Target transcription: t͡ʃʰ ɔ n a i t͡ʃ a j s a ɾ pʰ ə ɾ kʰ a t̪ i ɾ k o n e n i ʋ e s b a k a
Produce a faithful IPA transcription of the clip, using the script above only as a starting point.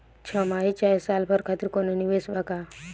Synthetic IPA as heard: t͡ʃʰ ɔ m a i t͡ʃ a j s a l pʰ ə ɾ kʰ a t̪ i ɾ k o n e n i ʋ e s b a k a